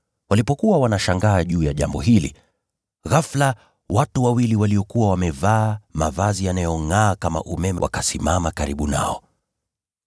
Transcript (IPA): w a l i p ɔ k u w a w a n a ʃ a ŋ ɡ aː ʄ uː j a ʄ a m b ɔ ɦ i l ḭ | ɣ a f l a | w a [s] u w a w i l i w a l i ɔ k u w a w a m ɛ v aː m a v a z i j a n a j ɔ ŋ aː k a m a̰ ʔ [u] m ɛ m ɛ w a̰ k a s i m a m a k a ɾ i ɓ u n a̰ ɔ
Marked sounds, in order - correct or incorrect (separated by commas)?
incorrect, correct